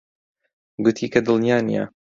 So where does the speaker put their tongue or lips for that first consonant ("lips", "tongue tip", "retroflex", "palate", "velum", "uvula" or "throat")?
velum